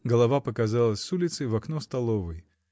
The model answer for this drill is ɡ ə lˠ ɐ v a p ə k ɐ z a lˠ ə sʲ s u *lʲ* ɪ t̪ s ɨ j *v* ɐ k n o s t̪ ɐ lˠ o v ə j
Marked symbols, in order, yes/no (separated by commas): yes, yes